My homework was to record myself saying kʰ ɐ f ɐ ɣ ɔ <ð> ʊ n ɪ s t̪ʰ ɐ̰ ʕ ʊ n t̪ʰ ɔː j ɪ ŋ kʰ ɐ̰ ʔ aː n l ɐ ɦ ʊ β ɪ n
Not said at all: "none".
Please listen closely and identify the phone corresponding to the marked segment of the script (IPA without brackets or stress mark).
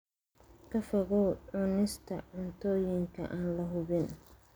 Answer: ʕ